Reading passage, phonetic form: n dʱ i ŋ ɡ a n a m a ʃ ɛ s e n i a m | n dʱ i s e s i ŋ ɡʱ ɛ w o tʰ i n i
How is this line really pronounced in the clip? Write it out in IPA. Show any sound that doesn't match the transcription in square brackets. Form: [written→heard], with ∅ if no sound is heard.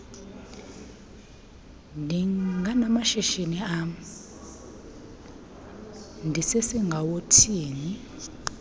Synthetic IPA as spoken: n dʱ i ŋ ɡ a n a m a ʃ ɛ [s→ʃ] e n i a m | n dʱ i s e s i ŋ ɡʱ [ɛ→a] w o tʰ [i→iː] n i